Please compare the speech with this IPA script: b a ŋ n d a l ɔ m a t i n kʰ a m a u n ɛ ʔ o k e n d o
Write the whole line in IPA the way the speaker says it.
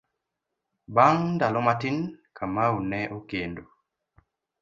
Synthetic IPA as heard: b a ŋ n d a l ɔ m a t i n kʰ a m a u n ɛ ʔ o k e n d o